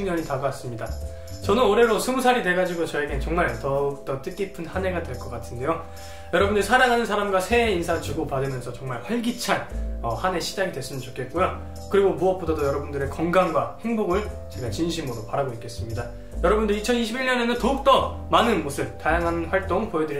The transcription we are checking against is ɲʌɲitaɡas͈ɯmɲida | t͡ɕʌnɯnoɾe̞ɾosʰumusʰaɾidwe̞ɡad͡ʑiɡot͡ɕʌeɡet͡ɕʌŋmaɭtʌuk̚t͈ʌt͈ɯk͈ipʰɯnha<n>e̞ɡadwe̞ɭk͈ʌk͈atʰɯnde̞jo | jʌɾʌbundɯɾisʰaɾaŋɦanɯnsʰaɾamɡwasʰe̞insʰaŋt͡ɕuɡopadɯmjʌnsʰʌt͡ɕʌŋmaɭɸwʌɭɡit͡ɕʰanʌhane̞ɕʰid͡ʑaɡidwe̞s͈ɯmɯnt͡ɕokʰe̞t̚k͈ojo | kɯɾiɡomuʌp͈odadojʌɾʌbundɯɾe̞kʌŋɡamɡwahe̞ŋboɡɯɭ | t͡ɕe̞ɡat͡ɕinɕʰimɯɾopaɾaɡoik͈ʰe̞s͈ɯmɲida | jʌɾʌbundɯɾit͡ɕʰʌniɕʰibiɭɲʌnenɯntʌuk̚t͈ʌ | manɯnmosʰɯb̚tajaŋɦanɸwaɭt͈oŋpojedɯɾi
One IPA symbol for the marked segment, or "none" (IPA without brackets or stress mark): n